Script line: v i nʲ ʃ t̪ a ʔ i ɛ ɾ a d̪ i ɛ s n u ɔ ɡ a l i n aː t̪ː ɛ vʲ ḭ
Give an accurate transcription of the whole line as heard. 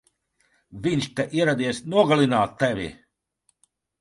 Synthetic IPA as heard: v i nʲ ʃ t̪ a ʔ i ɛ ɾ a d̪ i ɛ s n u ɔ ɡ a l i n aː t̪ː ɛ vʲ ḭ